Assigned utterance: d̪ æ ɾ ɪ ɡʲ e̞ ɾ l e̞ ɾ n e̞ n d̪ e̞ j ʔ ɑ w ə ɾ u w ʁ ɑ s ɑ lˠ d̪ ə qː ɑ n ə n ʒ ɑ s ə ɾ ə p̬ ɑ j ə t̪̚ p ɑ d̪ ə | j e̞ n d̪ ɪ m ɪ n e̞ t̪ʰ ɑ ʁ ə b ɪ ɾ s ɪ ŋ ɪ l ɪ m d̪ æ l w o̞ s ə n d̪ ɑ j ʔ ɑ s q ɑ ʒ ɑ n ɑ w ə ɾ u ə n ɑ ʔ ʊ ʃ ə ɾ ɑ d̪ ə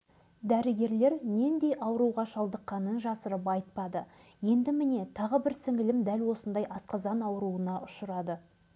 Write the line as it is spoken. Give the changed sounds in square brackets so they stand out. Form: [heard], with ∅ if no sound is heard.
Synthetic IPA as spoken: d̪ æ ɾ ɪ ɡʲ e̞ ɾ l e̞ ɾ n e̞ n d̪ e̞ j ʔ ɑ w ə ɾ u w ʁ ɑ [ʃ] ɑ lˠ d̪ ə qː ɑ n ə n ʒ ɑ s ə ɾ ə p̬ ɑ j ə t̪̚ p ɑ d̪ ə | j e̞ n d̪ ɪ m ɪ n e̞ t̪ʰ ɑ ʁ ə b ɪ ɾ s ɪ ŋ ɪ l ɪ m d̪ æ l w o̞ s ə n d̪ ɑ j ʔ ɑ s q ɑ [z] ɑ n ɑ w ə ɾ u ə n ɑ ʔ ʊ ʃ ə ɾ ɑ d̪ ə

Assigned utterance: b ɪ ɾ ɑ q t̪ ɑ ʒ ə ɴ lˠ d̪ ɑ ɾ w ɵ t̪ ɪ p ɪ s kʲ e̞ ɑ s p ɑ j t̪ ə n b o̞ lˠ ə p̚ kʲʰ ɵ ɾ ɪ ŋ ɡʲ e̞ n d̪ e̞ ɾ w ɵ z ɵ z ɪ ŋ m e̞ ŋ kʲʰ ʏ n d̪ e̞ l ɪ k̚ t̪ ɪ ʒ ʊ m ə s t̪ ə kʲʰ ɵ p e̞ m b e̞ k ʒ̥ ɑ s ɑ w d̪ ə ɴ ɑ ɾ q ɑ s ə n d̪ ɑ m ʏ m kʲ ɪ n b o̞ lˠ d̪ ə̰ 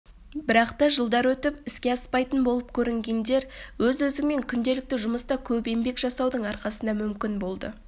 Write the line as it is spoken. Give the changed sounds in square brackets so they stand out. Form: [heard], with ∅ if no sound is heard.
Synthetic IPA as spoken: b ɪ ɾ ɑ q t̪ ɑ ʒ ə [∅] lˠ d̪ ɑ ɾ w ɵ t̪ ɪ p ɪ s kʲ e̞ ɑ s p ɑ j t̪ ə n b o̞ lˠ ə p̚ kʲʰ ɵ ɾ ɪ ŋ ɡʲ e̞ n d̪ e̞ ɾ w ɵ z ɵ z ɪ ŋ m e̞ ŋ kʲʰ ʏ n d̪ e̞ l ɪ k̚ t̪ ɪ ʒ ʊ m ə s t̪ [ɑ] kʲʰ ɵ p e̞ m b e̞ k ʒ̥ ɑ s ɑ w d̪ ə ɴ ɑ ɾ q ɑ s ə n d̪ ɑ m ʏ m kʲ ɪ n b o̞ lˠ d̪ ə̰

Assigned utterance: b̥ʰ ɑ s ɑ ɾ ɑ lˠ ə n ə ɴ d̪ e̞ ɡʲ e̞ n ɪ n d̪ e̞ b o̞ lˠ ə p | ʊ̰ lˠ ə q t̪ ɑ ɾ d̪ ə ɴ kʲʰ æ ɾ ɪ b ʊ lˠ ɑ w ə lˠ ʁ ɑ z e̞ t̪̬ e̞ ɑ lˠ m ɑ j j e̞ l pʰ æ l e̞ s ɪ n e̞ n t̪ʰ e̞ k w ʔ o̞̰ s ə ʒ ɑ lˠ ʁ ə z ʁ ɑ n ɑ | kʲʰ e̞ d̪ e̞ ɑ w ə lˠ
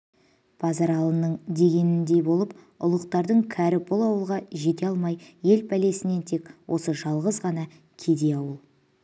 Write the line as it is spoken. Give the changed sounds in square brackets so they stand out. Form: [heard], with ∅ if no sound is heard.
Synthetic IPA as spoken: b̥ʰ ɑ [z] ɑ ɾ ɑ lˠ ə n ə ɴ d̪ e̞ ɡʲ e̞ n ɪ n d̪ e̞ b o̞ lˠ ə p | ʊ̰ lˠ ə q t̪ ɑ ɾ d̪ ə ɴ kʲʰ æ ɾ ɪ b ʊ lˠ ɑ w ə lˠ ʁ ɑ [ʒ] e̞ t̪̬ e̞ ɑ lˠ m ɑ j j e̞ l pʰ æ l e̞ s ɪ n e̞ n t̪ʰ e̞ k w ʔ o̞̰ s ə ʒ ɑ lˠ ʁ ə z ʁ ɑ n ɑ | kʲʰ e̞ d̪ e̞ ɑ w ə lˠ

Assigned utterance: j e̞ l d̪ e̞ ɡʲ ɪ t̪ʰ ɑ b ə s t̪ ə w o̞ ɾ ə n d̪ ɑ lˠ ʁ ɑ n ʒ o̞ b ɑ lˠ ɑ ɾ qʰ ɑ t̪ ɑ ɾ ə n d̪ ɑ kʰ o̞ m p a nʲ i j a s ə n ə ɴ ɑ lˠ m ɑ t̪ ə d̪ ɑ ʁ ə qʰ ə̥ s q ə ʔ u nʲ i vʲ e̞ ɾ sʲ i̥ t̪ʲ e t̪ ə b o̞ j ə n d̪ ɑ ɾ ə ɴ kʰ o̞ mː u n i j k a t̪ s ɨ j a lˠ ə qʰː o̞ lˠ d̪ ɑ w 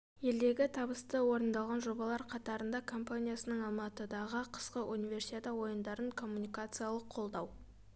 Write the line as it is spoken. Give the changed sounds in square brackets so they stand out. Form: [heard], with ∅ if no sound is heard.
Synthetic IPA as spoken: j e̞ l d̪ e̞ ɡʲ ɪ t̪ʰ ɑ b ə s t̪ ə w o̞ ɾ ə n d̪ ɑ lˠ ʁ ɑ n ʒ o̞ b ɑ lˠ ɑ ɾ qʰ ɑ t̪ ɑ ɾ ə n d̪ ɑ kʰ o̞ m p a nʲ i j a s ə n ə ɴ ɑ lˠ m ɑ t̪ ə d̪ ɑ ʁ ə qʰ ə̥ s q ə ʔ u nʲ i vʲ e̞ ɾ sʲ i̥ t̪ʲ e t̪ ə [w] o̞ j ə n d̪ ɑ ɾ ə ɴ kʰ o̞ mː u n i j k a t̪ s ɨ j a lˠ ə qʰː o̞ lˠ d̪ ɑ w

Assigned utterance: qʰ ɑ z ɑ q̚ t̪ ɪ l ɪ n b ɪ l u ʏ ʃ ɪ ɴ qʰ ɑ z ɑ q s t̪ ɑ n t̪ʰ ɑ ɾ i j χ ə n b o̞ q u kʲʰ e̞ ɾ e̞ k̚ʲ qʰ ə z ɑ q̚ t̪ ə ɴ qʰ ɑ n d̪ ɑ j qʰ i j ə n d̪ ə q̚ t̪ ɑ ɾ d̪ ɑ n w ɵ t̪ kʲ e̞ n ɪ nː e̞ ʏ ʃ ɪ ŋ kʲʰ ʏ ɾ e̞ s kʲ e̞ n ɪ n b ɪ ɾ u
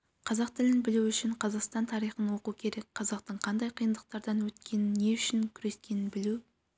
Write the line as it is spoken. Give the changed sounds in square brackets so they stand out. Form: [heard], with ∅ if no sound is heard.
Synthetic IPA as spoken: qʰ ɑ z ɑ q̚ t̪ ɪ l ɪ n b ɪ l u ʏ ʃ ɪ ɴ qʰ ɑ z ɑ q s t̪ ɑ n t̪ʰ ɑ ɾ i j χ ə n [w] o̞ q u kʲʰ e̞ ɾ e̞ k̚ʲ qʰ [ɑ] z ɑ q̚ t̪ ə ɴ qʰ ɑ n d̪ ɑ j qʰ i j ə n d̪ ə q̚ t̪ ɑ ɾ d̪ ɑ n w ɵ t̪ kʲ e̞ n ɪ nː e̞ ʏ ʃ ɪ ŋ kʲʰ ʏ ɾ e̞ s kʲ e̞ n ɪ n b ɪ [l] u

